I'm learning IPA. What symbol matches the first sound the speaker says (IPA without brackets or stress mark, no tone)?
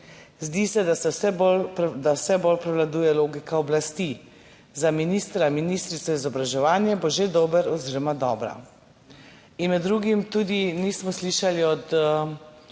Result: z